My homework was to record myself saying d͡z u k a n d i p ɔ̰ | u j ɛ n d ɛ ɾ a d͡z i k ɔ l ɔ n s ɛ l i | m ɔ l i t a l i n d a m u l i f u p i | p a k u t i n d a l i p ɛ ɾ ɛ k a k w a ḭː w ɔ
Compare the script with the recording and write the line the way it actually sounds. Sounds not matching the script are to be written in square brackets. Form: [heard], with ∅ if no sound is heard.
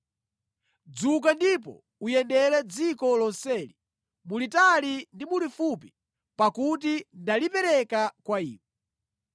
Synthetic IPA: d͡z u k a n d i p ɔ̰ | u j ɛ n d ɛ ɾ [ɛ] d͡z i k ɔ l ɔ n s ɛ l i | m [u] l i t a l i n d [i] m u l i f u p i | p a k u t i n d a l i p ɛ ɾ ɛ k a k w a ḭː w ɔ